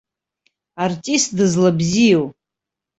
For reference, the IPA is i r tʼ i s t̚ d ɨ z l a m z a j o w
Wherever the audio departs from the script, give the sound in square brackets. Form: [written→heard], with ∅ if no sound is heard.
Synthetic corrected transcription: [i→a] r tʼ i s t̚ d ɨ z l a [m→b] z [a→i] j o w

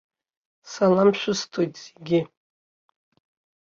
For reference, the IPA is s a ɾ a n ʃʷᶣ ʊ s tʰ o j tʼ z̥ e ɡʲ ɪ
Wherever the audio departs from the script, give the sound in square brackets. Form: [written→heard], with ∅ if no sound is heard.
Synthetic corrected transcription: s a [ɾ→l] a [n→m] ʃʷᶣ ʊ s tʰ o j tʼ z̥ e ɡʲ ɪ

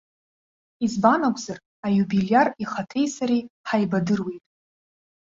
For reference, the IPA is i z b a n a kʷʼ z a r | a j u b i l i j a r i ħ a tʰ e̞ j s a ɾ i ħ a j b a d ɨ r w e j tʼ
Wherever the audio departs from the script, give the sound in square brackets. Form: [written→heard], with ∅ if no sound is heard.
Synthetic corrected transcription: i z b a n a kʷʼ z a r | a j u b i l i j a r i [ħ→χ] a tʰ e̞ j s a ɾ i ħ a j b a d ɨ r w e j tʼ

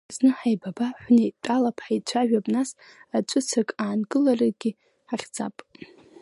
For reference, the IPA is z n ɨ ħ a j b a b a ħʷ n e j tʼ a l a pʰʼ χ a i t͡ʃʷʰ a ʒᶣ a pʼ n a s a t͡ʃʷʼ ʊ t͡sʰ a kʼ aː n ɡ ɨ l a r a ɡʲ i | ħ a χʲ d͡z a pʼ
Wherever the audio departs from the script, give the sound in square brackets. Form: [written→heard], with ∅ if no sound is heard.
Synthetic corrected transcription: z n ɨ ħ a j b a b a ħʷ n e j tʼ a l a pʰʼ [χ→ħ] a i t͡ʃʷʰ a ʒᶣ a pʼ n a s a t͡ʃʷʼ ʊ t͡sʰ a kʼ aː n ɡ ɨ l a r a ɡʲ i | ħ a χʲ d͡z a pʼ

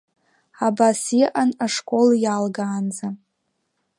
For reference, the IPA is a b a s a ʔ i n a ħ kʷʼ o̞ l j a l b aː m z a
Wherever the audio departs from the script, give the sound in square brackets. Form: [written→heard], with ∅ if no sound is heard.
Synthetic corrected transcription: a b a s [a→i] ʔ [i→a] n a [ħ→ʂ] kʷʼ o̞ l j a l [b→ɡ] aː [m→n] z a

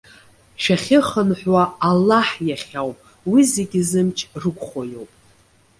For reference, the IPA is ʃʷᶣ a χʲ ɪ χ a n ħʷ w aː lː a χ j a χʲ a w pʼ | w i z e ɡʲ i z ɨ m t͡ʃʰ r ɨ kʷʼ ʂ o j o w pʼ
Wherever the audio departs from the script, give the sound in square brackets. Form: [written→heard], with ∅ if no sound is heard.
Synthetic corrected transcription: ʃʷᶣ a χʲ ɪ χ [a→ə] n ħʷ w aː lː a [χ→ħ] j a χʲ a w pʼ | w i z e ɡʲ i z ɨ m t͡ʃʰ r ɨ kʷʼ [ʂ→χ] o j o w pʼ

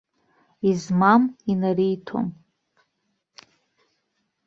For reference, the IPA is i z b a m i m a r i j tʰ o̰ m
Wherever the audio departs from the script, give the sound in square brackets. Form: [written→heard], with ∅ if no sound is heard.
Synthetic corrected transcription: i z [b→m] a m i [m→n] a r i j tʰ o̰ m

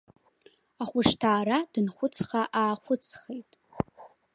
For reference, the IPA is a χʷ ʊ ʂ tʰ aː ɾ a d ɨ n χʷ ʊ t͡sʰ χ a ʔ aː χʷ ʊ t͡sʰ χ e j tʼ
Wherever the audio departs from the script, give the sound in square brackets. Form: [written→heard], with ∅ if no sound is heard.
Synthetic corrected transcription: a χʷ ʊ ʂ tʰ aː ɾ a d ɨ n χʷ ʊ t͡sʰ χ a ʔ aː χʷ ʊ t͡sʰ χ e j tʼ

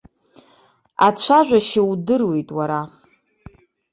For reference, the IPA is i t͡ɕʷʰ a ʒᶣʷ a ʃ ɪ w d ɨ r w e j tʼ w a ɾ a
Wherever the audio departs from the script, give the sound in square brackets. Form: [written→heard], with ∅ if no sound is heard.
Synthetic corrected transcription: [i→a] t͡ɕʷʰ a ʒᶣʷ a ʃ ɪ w d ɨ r w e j tʼ w a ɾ a

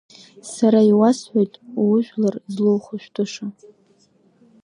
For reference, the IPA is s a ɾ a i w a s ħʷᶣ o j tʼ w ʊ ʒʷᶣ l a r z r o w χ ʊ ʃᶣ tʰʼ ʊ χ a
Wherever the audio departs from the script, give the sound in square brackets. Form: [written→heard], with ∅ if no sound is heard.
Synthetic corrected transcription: s a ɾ a i w a s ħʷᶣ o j tʼ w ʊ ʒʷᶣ l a r z [r→l] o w χ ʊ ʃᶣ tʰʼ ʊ [χ→ʂ] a

